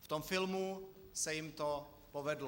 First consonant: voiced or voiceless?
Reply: voiceless